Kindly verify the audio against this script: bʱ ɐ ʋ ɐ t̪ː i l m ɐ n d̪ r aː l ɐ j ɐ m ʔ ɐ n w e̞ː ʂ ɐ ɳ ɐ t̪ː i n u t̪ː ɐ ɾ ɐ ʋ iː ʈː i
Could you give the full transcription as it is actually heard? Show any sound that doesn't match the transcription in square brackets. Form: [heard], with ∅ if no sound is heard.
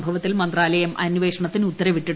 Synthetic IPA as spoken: bʱ ɐ ʋ ɐ t̪ː i l m ɐ n d̪ r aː l ɐ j ɐ m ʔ ɐ n [ʋ] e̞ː ʂ ɐ ɳ ɐ t̪ː i n u t̪ː ɐ ɾ ɐ ʋ [i] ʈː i

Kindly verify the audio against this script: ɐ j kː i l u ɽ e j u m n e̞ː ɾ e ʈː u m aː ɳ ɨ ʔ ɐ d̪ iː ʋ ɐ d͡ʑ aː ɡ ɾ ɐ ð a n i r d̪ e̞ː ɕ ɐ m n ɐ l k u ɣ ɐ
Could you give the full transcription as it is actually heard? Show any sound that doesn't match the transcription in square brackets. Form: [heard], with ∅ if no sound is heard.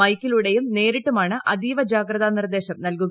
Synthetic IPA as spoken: ɐ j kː i l u ɽ e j u m n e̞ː ɾ [i] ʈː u m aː ɳ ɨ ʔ ɐ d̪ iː ʋ ɐ d͡ʑ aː ɡ ɾ ɐ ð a n i r d̪ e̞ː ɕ ɐ m n ɐ l k u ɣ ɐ

